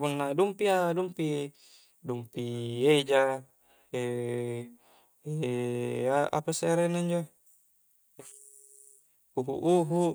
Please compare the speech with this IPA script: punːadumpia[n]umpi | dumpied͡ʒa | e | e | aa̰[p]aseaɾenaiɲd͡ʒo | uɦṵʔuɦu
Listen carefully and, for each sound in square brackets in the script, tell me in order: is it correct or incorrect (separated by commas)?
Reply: incorrect, correct